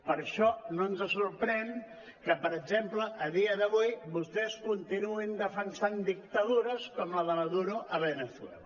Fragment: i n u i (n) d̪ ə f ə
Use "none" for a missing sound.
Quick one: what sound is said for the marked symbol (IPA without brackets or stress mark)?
n